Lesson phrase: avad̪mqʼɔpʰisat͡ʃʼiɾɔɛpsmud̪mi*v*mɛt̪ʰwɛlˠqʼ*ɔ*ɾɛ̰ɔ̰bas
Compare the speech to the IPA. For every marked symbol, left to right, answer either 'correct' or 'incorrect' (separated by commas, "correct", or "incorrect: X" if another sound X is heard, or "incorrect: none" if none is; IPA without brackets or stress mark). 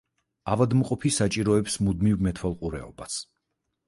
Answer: correct, incorrect: u